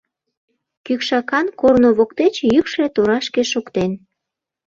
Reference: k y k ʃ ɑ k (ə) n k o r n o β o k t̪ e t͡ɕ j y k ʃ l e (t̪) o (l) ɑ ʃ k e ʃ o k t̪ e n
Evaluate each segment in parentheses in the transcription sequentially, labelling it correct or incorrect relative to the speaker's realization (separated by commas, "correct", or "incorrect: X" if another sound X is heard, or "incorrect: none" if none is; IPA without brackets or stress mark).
incorrect: ɑ, correct, incorrect: ɾ